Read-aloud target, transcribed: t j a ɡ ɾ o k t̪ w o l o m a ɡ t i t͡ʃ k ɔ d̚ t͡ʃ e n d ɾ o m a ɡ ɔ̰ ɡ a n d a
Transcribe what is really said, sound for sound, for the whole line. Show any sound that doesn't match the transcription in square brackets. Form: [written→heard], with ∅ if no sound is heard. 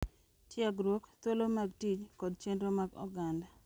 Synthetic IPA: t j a ɡ ɾ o k t̪ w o l o m a ɡ t i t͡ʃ k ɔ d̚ t͡ʃ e n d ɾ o m a ɡ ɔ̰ ɡ a n d a